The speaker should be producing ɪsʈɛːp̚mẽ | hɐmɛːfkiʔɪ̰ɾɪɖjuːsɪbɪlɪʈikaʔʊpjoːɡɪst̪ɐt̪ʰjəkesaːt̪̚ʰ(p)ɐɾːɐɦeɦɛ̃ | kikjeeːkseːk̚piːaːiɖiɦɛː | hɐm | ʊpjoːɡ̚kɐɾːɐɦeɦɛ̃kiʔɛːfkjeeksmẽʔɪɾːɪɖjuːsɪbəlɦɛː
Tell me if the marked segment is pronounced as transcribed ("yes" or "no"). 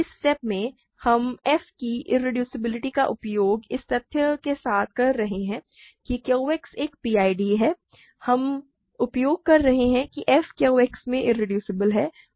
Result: no